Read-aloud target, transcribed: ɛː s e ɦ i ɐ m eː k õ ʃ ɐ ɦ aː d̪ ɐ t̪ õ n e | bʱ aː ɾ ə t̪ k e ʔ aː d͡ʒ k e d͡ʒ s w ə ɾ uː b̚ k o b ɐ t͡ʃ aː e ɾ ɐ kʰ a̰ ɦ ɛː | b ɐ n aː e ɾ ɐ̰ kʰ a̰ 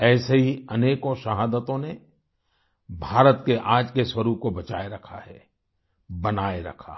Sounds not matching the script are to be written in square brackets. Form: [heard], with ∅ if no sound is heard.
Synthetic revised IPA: ɛː s e ɦ i ɐ [n] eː k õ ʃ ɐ ɦ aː d̪ [ə] t̪ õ n e | bʱ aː ɾ ə t̪ k e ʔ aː d͡ʒ k e [∅] s w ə ɾ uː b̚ k o b ɐ t͡ʃ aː e ɾ ɐ kʰ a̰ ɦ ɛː | b ɐ n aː e ɾ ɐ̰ kʰ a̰